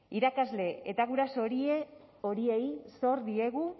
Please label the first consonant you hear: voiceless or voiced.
voiced